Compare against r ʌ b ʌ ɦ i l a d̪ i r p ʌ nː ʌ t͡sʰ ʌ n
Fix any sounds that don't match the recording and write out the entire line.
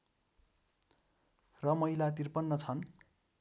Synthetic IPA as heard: r ʌ m ʌ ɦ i l a t̪ i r p ʌ nː ʌ t͡sʰ ʌ n